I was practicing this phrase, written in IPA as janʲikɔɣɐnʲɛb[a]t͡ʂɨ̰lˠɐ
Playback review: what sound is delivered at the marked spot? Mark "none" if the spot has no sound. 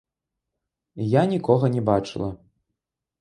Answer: a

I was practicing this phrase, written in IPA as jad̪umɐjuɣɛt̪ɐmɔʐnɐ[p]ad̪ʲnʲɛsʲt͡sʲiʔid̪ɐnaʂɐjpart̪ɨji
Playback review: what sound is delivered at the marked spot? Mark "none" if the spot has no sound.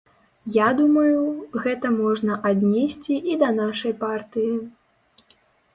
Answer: ʔ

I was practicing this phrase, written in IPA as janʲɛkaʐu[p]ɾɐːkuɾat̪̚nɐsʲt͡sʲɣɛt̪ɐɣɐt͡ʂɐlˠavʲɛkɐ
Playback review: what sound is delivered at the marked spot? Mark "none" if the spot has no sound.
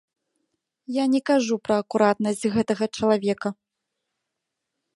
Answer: p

